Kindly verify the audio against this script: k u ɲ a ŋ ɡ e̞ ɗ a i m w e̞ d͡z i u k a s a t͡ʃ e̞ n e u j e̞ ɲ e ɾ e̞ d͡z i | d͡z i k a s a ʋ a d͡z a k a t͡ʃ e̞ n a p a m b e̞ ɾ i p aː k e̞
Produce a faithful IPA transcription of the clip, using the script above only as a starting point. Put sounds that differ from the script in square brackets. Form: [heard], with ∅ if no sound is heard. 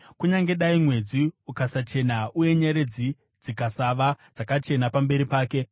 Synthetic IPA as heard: k u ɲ a ŋ ɡ e̞ ɗ a i m w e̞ d͡z i u k a s a t͡ʃ e̞ n [a] u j e̞ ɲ e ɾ e̞ d͡z i | d͡z i k a s a ʋ a d͡z a k a t͡ʃ e̞ n a p a m b e̞ ɾ i p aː k e̞